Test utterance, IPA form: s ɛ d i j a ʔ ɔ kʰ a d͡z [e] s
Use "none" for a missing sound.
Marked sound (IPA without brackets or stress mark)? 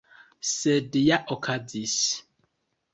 i